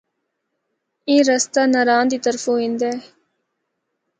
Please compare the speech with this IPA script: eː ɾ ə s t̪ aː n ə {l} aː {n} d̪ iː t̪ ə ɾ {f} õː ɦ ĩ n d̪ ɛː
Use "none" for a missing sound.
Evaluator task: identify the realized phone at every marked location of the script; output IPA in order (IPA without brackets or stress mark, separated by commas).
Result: ɾ, n, f